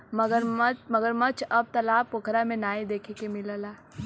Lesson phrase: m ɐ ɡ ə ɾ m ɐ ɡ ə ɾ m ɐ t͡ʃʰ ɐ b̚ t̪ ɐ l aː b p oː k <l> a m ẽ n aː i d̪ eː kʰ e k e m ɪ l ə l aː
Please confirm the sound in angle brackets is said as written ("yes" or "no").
no